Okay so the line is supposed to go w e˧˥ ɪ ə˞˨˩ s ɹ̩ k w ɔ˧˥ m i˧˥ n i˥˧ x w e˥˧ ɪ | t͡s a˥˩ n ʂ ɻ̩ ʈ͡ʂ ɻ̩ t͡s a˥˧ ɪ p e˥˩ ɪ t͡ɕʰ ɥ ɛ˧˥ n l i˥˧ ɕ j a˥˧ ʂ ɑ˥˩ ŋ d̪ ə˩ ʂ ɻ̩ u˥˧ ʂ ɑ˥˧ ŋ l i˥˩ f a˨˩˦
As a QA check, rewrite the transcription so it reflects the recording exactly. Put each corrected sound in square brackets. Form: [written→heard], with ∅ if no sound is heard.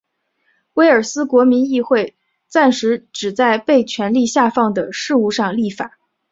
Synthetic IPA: w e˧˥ ɪ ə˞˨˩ s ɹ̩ k w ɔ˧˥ m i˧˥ n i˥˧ x w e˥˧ ɪ | t͡s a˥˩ n ʂ ɻ̩ ʈ͡ʂ ɻ̩ t͡s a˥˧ ɪ p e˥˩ ɪ t͡ɕʰ ɥ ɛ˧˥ n l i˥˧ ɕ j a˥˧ [ʂ→f] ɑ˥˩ ŋ d̪ ə˩ ʂ ɻ̩ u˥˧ ʂ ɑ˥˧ ŋ l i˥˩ f a˨˩˦